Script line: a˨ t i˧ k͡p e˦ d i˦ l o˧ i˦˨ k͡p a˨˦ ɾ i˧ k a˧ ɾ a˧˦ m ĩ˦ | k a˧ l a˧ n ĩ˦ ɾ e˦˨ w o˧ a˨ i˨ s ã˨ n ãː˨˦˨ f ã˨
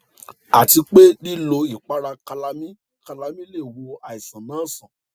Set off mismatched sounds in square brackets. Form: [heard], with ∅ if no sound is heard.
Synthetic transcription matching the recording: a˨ t i˧ k͡p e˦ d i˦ l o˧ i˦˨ k͡p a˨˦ ɾ [a˧] k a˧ [l] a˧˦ m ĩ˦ | k a˧ l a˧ [m] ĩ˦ [l] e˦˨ w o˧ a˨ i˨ s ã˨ n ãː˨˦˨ [s] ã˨